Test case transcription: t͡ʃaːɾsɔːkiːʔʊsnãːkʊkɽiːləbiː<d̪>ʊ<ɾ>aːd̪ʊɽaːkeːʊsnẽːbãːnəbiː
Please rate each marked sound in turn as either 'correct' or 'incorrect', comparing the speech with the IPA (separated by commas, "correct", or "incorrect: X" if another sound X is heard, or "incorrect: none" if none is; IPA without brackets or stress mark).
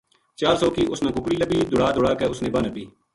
correct, incorrect: ɽ